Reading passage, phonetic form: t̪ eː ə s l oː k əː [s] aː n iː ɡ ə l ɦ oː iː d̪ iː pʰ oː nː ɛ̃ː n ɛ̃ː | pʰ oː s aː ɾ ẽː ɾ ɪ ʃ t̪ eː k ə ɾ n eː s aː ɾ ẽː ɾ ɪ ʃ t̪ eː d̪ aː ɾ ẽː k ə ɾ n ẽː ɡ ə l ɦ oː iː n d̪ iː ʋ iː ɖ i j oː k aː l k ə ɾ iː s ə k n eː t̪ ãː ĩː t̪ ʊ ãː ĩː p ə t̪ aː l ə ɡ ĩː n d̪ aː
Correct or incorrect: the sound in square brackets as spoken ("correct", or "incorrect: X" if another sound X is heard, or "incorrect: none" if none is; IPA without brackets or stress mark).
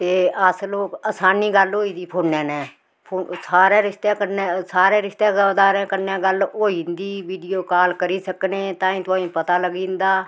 correct